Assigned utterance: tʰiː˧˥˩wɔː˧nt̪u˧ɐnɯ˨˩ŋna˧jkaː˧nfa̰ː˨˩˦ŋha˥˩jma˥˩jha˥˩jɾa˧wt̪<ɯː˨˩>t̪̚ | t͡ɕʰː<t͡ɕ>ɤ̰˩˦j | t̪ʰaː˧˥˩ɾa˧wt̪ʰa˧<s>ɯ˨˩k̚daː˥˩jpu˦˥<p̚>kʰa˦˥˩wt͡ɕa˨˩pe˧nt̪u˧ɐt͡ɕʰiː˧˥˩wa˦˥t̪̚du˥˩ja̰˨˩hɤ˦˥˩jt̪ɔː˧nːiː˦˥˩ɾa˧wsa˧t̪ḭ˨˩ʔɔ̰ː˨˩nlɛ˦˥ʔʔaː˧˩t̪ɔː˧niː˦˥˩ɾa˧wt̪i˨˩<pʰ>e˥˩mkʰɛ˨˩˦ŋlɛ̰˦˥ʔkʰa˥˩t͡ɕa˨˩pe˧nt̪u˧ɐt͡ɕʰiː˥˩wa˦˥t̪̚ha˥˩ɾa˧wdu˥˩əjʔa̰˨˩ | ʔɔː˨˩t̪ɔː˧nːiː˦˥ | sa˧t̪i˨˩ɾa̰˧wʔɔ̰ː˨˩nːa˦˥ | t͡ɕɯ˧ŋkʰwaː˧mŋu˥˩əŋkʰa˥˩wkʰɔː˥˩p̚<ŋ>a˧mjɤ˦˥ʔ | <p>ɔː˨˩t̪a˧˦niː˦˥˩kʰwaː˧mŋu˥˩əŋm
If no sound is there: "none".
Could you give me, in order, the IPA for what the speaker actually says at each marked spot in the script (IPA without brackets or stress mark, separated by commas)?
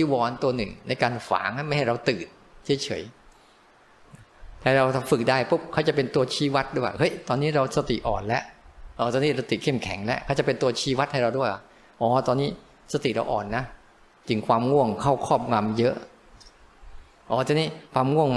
ɯː˨˩, t͡ɕʰ, f, p̚, kʰ, ŋ, ʔ